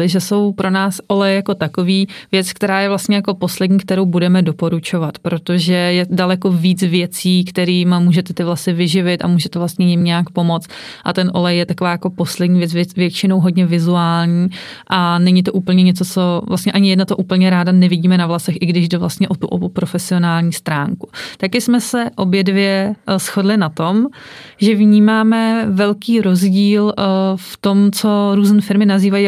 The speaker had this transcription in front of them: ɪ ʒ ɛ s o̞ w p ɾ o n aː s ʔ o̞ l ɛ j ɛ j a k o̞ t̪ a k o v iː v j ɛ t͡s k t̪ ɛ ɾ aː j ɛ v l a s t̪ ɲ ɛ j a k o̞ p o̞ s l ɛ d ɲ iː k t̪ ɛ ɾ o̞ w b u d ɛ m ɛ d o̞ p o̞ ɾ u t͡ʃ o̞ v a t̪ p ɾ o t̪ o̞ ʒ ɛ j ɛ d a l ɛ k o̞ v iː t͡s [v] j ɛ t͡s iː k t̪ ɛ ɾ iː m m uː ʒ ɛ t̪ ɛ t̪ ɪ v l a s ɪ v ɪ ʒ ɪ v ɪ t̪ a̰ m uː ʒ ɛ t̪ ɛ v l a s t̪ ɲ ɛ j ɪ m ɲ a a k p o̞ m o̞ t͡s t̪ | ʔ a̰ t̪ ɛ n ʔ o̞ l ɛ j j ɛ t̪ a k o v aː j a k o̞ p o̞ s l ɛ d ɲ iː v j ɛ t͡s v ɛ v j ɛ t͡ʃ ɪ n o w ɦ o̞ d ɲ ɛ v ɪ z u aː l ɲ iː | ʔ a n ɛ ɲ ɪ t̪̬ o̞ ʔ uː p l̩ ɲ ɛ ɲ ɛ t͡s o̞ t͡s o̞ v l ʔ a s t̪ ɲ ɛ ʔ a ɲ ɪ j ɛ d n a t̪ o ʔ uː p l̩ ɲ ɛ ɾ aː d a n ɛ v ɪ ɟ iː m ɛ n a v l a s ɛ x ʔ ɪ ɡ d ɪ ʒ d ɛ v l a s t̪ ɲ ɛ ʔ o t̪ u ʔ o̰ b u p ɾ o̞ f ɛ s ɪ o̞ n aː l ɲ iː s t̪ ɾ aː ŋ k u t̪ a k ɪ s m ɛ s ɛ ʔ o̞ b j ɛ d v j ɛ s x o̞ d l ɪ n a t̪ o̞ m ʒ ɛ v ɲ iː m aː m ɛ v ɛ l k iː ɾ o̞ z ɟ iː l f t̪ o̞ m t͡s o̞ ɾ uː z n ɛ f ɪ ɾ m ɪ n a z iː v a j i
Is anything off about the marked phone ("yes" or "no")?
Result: no